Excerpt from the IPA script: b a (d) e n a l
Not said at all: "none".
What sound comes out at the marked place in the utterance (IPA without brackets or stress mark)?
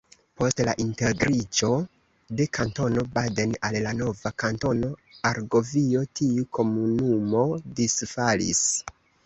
d